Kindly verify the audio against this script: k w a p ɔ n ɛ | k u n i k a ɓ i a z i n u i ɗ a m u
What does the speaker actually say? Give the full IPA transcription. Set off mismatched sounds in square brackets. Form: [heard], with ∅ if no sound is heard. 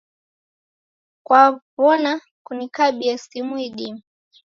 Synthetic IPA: k w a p ɔ n [a] | k u n i k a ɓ i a [s] i [m] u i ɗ [i] m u